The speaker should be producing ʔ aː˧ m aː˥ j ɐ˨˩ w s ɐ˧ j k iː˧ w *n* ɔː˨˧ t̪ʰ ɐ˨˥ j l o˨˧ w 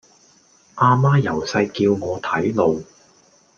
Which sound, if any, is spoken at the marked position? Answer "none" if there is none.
ŋ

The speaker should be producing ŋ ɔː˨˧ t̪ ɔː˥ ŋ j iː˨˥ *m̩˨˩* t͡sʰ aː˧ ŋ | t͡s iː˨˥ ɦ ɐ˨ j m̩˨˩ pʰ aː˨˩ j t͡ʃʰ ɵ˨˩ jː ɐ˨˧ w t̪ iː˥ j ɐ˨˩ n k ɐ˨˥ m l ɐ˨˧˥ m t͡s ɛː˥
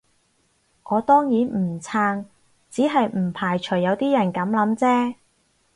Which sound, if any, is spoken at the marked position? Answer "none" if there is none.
n̩˨˩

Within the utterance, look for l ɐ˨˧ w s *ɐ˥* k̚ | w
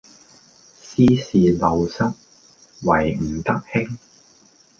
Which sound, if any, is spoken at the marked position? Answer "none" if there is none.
ɐ˥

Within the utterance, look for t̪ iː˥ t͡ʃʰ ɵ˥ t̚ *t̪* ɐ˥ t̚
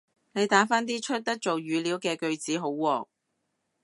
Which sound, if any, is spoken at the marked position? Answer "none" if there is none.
t̪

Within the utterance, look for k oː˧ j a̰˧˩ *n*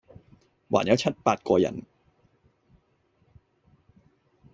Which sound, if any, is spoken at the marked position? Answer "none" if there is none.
n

